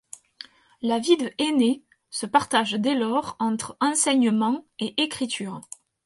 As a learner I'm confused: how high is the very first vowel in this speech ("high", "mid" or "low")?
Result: low